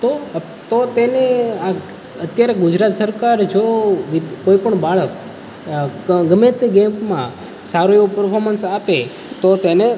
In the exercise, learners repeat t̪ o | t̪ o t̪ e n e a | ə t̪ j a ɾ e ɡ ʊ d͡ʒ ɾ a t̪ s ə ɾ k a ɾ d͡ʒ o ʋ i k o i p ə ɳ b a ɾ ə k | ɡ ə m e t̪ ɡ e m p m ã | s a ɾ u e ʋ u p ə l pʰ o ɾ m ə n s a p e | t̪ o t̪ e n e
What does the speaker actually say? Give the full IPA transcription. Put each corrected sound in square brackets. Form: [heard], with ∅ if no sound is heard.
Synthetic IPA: t̪ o | t̪ o t̪ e n e a | ə t̪ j a ɾ e ɡ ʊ d͡ʒ ɾ a t̪ s ə ɾ k a ɾ d͡ʒ o ʋ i k o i p ə ɳ b a [ɭ] ə k | ɡ ə m e t̪ ɡ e m p m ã | s a ɾ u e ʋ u p ə [ɾ] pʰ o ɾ m ə n s a p e | t̪ o t̪ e n e

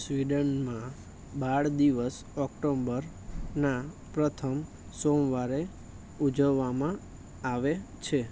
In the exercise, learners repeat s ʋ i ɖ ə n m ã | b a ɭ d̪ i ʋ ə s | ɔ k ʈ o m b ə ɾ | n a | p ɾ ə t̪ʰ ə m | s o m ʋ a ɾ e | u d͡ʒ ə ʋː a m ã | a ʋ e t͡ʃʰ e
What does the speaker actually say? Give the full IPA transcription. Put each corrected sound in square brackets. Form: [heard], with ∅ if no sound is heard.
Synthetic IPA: s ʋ i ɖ ə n m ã | b a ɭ d̪ i ʋ ə s | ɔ k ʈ o m b ə ɾ | n a | p ɾ ə t̪ʰ ə m | s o m ʋ a ɾ e | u d͡ʒ ə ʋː a m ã | a ʋ e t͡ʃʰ e

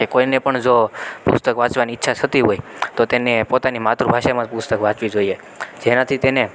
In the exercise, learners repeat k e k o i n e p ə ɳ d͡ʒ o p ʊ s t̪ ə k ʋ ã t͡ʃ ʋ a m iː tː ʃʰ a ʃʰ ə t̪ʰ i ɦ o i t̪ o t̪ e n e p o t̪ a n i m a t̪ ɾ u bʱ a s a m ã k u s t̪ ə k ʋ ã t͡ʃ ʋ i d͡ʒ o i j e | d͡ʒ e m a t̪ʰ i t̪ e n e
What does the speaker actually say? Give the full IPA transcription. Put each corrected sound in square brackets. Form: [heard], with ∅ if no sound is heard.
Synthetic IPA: k e k o i n e p ə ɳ d͡ʒ o p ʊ s t̪ ə k ʋ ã t͡ʃ ʋ a [n] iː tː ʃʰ a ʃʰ ə [t̪] i ɦ o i t̪ o t̪ e n e p o t̪ a n i m a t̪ ɾ u bʱ a [ʃ] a m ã [p] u s t̪ ə k ʋ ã t͡ʃ ʋ i d͡ʒ o i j e | d͡ʒ e [n] a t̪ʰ i t̪ e n e

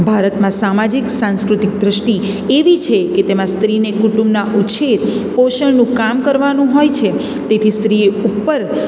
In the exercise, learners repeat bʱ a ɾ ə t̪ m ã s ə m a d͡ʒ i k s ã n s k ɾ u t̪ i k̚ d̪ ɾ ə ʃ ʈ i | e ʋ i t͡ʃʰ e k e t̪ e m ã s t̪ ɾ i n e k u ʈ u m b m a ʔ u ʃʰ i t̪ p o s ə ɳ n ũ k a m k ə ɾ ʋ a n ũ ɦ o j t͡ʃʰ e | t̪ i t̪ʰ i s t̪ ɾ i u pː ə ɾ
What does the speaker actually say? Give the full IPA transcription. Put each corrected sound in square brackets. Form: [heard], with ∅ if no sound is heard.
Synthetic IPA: bʱ a ɾ ə t̪ m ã s [a] m a d͡ʒ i k s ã n s k ɾ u t̪ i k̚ d̪ ɾ ə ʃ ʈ i | e ʋ i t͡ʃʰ e k e t̪ e m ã s t̪ ɾ i n e k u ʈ u m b [n] a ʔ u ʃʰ [e] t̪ p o [ʃ] ə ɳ n ũ k a m k ə ɾ ʋ a n ũ ɦ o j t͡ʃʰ e | t̪ [e] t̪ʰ i s t̪ ɾ i u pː ə ɾ

